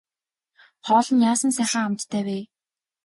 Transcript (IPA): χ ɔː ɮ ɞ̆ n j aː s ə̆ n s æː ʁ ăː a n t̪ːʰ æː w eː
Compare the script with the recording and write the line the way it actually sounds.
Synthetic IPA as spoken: χ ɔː ɮ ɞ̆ n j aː s ə̆ n s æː χ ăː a m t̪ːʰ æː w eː